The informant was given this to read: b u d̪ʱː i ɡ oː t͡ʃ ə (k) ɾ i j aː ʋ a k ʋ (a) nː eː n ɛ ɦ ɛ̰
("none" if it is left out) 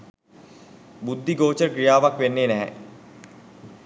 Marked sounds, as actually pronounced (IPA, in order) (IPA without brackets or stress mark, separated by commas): k, e